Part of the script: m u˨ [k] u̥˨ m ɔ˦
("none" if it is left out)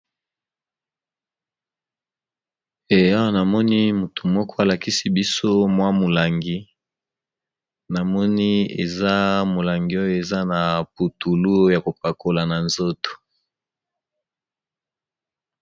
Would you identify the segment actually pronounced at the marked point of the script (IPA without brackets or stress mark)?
t